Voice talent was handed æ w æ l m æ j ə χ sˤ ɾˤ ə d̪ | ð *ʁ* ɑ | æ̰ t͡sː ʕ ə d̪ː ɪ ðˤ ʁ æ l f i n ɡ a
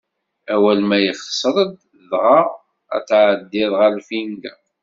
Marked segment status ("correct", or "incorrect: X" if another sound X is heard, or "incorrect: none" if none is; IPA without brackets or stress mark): correct